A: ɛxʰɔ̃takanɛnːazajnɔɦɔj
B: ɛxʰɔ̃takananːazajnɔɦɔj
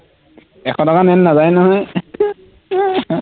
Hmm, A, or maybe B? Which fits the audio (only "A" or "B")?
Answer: A